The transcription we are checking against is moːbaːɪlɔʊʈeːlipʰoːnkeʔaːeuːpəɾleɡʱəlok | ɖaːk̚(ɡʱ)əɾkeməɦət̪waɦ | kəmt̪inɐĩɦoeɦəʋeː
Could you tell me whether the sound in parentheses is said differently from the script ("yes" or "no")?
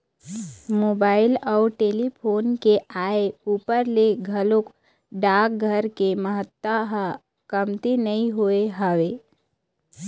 no